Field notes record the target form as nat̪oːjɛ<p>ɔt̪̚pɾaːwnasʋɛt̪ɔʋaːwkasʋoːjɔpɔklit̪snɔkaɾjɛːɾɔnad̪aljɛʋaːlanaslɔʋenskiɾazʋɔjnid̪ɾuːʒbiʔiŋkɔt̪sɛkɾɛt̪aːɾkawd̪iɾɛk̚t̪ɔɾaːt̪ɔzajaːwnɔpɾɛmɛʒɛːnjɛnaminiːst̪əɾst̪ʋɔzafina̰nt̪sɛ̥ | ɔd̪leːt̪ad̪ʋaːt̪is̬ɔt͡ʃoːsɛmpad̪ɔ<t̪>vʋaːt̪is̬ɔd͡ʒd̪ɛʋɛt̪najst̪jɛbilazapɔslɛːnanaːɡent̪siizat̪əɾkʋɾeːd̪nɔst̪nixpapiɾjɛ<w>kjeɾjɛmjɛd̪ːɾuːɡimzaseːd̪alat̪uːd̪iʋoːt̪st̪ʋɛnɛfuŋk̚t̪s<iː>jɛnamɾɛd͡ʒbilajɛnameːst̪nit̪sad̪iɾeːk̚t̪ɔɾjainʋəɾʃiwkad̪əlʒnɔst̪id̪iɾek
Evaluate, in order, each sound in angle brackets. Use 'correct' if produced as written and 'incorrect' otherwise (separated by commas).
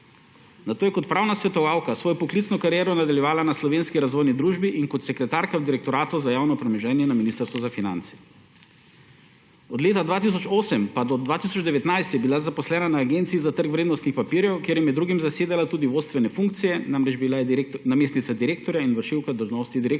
incorrect, incorrect, correct, incorrect